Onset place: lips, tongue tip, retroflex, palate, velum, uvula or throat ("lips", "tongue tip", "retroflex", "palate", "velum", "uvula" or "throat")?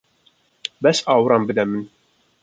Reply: lips